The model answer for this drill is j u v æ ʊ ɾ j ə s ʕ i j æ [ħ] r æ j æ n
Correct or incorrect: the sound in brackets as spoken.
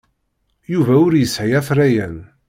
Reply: incorrect: θ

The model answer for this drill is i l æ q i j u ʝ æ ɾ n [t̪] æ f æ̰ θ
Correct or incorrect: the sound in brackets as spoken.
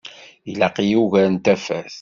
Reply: correct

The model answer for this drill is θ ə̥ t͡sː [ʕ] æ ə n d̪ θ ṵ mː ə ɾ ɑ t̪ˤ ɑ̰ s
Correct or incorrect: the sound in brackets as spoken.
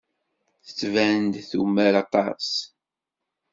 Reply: incorrect: v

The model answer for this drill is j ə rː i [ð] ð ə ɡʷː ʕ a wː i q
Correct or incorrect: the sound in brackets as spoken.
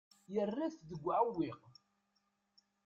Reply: incorrect: θ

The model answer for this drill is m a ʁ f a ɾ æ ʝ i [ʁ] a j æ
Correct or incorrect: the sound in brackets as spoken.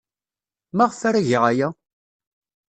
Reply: correct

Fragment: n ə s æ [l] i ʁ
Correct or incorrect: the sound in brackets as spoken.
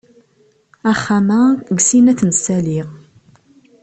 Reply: correct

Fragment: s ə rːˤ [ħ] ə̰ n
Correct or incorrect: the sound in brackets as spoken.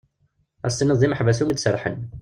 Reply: correct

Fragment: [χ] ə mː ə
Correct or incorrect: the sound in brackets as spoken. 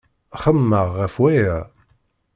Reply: correct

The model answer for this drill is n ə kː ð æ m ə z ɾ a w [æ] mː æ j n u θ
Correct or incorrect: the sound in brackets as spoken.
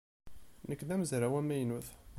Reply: correct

